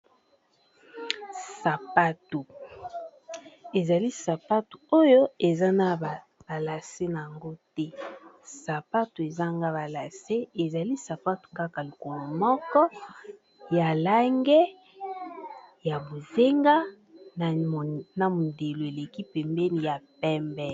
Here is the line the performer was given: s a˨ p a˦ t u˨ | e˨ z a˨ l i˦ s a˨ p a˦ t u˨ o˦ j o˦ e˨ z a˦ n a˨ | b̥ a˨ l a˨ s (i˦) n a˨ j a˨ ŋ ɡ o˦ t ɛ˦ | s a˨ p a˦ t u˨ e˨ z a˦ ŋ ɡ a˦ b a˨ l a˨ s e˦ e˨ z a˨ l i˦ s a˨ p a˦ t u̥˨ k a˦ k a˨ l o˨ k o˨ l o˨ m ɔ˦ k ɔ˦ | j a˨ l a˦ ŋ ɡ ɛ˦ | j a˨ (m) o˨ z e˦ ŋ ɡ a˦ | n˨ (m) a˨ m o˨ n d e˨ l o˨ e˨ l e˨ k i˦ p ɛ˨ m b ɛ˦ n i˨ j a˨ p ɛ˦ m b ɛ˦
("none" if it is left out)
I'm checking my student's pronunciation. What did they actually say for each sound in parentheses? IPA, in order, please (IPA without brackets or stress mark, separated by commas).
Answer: e˦, b, n